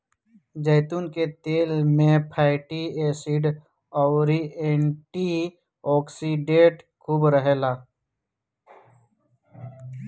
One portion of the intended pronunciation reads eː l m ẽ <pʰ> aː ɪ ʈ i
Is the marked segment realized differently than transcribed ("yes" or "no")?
no